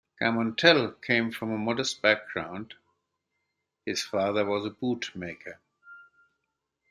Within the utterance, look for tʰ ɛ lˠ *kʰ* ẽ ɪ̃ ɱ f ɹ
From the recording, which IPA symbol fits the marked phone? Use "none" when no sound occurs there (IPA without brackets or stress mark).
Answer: kʰ